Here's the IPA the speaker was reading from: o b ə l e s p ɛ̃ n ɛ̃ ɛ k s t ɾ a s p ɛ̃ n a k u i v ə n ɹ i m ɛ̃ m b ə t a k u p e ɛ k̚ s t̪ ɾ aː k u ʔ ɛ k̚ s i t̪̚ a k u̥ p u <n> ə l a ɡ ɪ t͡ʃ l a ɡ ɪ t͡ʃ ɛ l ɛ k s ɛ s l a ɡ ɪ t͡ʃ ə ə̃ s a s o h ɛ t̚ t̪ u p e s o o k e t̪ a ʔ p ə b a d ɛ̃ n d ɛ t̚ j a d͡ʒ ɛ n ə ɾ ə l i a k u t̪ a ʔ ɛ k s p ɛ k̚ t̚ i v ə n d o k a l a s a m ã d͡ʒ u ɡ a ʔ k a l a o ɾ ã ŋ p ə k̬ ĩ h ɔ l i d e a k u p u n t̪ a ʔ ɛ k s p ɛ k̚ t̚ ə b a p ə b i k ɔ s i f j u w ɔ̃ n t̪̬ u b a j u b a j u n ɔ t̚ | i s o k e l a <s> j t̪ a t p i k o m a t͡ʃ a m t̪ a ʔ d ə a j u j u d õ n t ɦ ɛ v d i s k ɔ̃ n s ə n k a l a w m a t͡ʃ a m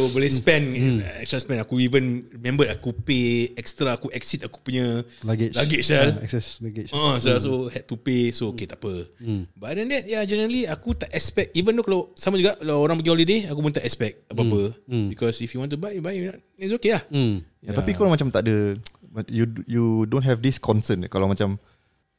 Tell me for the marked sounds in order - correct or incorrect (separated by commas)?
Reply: incorrect, incorrect